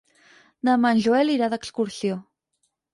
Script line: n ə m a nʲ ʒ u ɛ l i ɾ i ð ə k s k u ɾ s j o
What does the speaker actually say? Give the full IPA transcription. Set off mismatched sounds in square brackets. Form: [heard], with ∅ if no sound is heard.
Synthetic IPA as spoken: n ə m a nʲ ʒ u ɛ l i ɾ [a] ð ə k s k u ɾ s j o